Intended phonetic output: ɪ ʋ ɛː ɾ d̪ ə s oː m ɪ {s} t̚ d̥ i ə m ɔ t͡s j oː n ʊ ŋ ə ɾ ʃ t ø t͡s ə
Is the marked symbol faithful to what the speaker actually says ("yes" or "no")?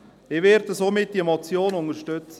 no